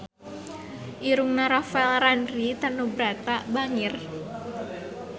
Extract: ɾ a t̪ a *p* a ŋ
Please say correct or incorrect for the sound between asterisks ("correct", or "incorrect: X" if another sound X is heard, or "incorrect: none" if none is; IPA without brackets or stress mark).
incorrect: b